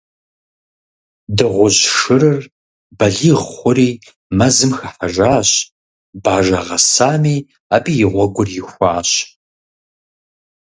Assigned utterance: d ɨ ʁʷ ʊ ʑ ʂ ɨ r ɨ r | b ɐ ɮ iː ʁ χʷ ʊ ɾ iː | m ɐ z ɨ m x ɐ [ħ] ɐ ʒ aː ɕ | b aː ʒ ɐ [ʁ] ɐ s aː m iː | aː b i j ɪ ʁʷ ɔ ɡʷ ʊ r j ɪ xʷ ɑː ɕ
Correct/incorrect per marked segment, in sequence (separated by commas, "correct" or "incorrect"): correct, correct